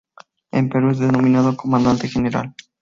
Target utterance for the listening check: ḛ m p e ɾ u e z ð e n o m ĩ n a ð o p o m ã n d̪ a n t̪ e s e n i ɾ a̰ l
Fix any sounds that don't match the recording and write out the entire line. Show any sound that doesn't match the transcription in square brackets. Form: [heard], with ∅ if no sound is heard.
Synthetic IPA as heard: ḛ m p e ɾ u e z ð e n o m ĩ n a ð o [k] o m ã n d̪ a n t̪ e [x] e n [e] ɾ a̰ l